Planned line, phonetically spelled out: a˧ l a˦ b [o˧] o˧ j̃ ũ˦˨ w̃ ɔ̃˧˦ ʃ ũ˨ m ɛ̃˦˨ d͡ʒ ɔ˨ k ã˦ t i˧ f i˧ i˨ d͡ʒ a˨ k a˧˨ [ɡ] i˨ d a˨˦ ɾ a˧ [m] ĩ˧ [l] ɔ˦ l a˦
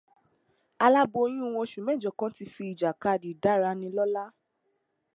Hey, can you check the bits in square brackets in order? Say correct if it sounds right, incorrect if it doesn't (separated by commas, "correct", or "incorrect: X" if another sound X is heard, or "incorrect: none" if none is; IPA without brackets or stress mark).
correct, incorrect: d, incorrect: n, correct